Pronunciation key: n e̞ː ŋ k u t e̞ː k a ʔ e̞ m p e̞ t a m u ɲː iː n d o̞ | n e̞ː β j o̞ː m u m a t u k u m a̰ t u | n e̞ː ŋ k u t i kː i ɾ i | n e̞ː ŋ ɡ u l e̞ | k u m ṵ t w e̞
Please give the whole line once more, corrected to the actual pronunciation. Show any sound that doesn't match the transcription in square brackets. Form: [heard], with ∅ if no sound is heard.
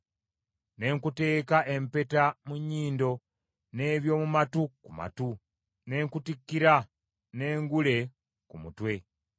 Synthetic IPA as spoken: n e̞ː ŋ k u t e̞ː k a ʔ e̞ m p e̞ t a m u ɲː iː n d o̞ | n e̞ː β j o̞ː m u m a t u k u m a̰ t u | n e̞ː ŋ k u t i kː i ɾ [a] | n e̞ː ŋ ɡ u l e̞ | k u m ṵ t w e̞